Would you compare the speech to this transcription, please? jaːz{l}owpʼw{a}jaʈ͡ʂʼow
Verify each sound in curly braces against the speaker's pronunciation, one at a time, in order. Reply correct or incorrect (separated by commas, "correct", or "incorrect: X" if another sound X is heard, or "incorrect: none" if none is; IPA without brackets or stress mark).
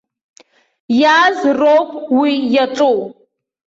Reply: incorrect: r, incorrect: i